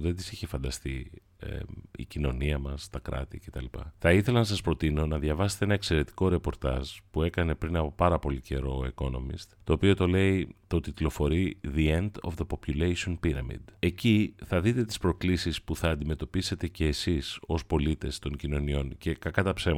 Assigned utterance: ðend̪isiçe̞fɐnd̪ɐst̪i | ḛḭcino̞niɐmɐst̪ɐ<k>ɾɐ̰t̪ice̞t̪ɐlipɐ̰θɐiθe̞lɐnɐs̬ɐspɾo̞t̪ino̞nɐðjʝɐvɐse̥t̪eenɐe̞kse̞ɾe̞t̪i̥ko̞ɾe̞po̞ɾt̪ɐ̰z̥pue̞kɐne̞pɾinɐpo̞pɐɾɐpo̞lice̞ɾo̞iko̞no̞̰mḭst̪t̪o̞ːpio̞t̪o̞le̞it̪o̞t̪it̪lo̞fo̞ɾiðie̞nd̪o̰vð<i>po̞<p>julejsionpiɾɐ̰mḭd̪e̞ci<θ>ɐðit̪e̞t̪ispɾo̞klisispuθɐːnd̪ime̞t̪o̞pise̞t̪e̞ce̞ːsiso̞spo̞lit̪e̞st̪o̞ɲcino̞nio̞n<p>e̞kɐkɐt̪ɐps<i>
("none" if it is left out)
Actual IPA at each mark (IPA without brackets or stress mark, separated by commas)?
k, e, p, θ, c, e